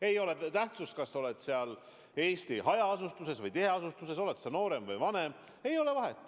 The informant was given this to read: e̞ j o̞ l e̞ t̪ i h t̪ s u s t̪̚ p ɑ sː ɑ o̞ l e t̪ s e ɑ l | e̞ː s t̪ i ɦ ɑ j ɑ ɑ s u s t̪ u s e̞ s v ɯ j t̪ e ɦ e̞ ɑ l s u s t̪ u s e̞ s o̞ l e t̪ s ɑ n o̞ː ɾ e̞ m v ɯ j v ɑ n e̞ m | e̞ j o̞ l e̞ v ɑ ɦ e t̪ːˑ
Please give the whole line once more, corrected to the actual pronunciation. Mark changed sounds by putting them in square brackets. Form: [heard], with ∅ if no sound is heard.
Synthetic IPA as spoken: e̞ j o̞ l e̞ t̪ [æ] h t̪ s u s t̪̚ [k] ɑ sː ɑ o̞ l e t̪ s e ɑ l | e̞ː s t̪ i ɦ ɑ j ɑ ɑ s u s t̪ u s e̞ s v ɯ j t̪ e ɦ e̞ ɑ [∅] s u s t̪ u s e̞ s o̞ l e t̪ s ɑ n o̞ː ɾ e̞ m v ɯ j v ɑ n e̞ m | e̞ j o̞ l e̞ v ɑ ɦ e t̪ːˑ

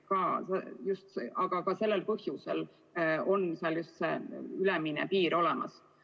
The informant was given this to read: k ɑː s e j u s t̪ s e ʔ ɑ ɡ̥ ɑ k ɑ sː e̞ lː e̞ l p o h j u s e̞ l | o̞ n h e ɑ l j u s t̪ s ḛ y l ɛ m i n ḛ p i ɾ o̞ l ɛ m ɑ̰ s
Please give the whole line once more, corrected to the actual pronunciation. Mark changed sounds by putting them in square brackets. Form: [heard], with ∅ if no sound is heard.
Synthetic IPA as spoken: k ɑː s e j u s t̪ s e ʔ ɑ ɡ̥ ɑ k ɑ [s] e̞ lː e̞ l p [ɤ] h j u s e̞ l | o̞ n [s] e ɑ l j u s t̪ s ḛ y l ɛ m i n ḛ p [iː] ɾ o̞ l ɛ m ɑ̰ s

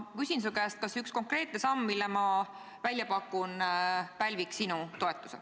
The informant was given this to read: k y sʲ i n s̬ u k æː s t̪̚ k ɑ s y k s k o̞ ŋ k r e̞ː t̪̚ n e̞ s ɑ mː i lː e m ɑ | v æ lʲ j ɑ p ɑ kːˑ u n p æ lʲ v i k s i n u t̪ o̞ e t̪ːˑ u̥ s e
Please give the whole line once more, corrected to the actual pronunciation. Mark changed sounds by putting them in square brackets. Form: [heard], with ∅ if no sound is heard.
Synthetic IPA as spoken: k y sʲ i n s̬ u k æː s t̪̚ k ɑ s y k s k o̞ ŋ k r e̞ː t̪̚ n e̞ s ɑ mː i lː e m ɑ | v æ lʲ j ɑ p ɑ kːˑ u n p æ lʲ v i k s i n u t̪ o̞ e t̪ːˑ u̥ s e

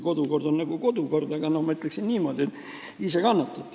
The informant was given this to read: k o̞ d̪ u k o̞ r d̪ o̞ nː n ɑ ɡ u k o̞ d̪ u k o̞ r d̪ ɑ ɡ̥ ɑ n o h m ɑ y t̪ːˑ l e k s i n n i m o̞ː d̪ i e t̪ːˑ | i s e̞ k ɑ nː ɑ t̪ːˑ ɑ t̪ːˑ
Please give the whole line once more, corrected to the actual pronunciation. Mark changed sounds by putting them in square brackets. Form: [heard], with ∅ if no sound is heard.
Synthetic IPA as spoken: k o̞ d̪ u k o̞ r d̪ o̞ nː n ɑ ɡ u k o̞ d̪ u k o̞ r d̪ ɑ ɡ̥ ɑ n o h m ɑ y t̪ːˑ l e k s i n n [iː] m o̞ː d̪ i e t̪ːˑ | i s e̞ k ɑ nː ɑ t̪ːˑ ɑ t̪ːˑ

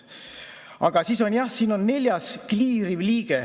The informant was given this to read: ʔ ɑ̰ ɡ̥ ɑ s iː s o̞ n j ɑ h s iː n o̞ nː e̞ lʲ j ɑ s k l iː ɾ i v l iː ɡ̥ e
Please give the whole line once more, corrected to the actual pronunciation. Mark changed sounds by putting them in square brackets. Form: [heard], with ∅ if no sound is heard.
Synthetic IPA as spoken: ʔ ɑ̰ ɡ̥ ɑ s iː s o̞ n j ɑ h s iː n o̞ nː e̞ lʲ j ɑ s k l iː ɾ i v l iː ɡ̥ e

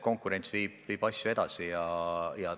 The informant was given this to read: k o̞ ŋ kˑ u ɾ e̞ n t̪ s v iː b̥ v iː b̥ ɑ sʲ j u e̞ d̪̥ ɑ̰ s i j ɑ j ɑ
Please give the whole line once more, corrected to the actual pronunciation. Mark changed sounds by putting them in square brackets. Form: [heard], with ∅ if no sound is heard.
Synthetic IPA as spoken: k o̞ ŋ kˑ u ɾ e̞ n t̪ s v iː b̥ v iː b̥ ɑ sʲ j u e̞ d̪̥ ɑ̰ s i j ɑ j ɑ

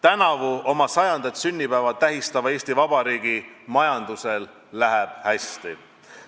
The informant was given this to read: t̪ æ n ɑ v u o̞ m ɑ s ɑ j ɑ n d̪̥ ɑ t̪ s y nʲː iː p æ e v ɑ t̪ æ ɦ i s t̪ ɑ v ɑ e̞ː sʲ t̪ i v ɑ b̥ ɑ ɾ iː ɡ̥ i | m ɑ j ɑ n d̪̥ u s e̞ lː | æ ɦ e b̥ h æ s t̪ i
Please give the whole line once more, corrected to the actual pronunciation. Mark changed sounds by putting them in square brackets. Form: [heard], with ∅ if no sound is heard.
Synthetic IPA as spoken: t̪ æ n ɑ v u o̞ m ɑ s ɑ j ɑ n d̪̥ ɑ t̪ s y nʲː [i] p æ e v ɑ t̪ æ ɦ i s t̪ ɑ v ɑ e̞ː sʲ t̪ i v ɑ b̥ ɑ ɾ iː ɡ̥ i | m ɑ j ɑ n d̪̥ u s e̞ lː | æ ɦ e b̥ h æ s t̪ i

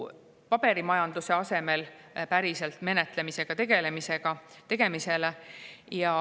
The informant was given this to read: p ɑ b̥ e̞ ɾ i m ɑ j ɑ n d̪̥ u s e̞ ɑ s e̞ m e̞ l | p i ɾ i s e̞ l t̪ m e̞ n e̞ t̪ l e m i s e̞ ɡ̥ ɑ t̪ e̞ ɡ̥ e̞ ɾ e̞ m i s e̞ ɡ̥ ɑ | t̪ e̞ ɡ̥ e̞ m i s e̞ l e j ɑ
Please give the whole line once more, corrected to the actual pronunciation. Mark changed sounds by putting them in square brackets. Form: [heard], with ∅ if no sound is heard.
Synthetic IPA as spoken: p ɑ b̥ e̞ ɾ i m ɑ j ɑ n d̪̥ u s e̞ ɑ s e̞ m e̞ l | p [æ] ɾ i s e̞ l t̪ m e̞ n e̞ t̪ l e m i s e̞ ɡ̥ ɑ t̪ e̞ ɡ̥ e̞ [l] e̞ m i s e̞ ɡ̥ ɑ | t̪ e̞ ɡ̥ e̞ m i s e̞ l e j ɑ

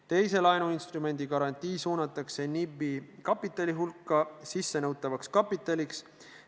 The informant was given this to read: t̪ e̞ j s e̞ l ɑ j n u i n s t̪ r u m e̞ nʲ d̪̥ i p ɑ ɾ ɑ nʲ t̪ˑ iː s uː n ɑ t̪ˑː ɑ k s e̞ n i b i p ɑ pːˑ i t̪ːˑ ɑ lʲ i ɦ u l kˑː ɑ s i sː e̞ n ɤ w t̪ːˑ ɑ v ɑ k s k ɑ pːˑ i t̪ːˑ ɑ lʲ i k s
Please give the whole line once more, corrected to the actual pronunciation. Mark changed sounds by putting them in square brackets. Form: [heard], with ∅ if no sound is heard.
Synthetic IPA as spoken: t̪ e̞ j s e̞ l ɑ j n u i n s t̪ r u m e̞ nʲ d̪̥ i [k] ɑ ɾ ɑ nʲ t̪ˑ iː s uː n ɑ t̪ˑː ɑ k s e̞ n i b i [k] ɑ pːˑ i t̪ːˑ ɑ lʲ i ɦ u l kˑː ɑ s i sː e̞ n ɤ w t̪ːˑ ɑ v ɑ k s k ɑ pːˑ i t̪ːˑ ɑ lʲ i k s

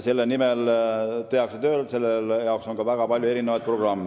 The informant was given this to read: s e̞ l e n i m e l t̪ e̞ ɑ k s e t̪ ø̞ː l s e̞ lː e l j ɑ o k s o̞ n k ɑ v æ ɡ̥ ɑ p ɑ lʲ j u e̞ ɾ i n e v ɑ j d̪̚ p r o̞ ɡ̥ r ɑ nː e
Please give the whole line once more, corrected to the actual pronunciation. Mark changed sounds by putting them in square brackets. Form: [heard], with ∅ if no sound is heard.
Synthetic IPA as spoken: s e̞ [lː] e n i m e l t̪ e̞ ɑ k s e t̪ ø̞ː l s e̞ lː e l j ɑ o k s o̞ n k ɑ v æ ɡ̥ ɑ p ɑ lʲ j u e̞ ɾ i n e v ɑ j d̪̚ p r o̞ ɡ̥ r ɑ [mː] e

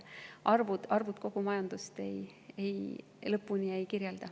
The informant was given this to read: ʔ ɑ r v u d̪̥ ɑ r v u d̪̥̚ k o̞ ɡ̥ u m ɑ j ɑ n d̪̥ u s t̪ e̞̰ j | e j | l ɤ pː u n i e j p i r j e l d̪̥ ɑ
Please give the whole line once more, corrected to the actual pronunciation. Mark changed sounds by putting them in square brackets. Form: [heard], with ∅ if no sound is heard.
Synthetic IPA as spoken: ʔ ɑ r v u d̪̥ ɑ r v u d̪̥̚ k o̞ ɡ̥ u m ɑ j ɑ n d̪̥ u s t̪ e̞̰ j | e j | l ɤ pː u n i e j [k] i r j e l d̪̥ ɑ

